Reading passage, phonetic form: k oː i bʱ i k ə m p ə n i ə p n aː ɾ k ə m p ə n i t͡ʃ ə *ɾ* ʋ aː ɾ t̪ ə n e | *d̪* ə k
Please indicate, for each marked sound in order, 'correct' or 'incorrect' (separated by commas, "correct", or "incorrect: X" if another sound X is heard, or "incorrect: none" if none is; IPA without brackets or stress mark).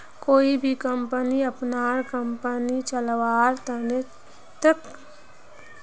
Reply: incorrect: l, incorrect: t̪